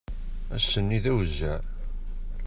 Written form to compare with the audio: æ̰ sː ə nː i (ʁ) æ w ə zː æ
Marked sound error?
yes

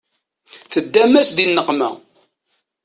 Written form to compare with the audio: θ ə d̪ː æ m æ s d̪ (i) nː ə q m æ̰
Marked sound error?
no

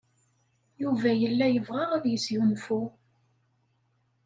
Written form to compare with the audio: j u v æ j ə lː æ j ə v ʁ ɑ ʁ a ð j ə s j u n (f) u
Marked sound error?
no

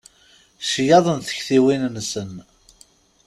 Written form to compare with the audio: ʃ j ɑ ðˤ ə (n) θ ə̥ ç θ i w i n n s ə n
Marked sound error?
no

